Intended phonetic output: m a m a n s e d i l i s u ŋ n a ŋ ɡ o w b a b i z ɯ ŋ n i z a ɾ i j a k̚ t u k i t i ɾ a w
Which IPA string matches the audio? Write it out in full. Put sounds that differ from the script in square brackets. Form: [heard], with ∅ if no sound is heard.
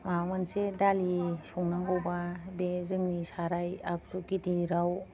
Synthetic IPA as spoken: m a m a n s e d [a] l i s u ŋ n a ŋ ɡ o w b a b [e] z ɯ ŋ n i [s] a ɾ [a] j a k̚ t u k i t i ɾ a w